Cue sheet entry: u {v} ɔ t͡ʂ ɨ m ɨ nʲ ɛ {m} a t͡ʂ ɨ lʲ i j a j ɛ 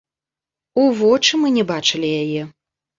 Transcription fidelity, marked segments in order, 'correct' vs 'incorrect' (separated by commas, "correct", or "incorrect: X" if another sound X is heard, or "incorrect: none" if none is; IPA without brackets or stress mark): correct, incorrect: b